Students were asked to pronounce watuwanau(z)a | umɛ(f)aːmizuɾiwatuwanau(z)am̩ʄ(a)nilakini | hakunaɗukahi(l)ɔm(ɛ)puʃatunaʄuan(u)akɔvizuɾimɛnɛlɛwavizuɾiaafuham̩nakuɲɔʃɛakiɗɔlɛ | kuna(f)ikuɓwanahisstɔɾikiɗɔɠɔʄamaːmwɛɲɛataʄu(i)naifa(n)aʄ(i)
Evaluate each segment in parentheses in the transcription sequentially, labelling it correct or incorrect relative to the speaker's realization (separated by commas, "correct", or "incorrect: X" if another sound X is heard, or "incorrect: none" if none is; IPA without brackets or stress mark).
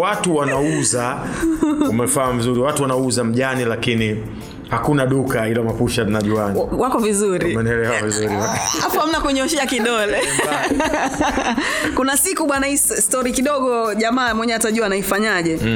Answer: correct, correct, correct, correct, correct, incorrect: a, incorrect: w, incorrect: s, incorrect: a, incorrect: ɲ, incorrect: ɛ